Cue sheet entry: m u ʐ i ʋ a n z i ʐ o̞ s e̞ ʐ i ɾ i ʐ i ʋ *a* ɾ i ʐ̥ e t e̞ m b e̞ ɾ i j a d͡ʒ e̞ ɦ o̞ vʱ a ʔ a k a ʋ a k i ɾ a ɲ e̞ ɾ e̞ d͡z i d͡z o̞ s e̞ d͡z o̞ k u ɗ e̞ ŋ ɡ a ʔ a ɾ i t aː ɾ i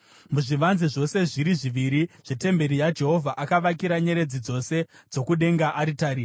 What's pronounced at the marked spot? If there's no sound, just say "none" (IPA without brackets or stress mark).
i